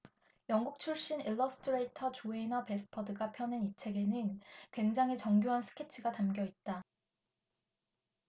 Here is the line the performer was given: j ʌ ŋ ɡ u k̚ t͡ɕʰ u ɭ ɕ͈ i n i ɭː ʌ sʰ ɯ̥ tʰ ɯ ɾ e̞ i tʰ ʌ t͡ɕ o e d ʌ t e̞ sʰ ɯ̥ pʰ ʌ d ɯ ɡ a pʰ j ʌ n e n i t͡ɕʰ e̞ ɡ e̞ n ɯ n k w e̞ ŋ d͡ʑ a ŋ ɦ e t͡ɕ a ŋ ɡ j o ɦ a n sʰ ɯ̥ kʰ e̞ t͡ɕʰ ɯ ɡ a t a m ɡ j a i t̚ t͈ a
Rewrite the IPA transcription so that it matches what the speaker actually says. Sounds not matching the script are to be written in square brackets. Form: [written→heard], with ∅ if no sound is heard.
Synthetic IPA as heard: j ʌ ŋ ɡ u k̚ t͡ɕʰ u ɭ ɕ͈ i n i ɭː ʌ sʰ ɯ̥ tʰ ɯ ɾ e̞ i tʰ ʌ t͡ɕ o e [d→n] ʌ [t→p] e̞ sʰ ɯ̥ pʰ ʌ d ɯ ɡ a pʰ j ʌ n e n i t͡ɕʰ e̞ ɡ e̞ n ɯ n k w e̞ ŋ d͡ʑ a ŋ ɦ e t͡ɕ [a→ʌ] ŋ ɡ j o ɦ a n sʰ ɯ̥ kʰ e̞ t͡ɕʰ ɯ ɡ a t a m ɡ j [a→ʌ] i t̚ t͈ a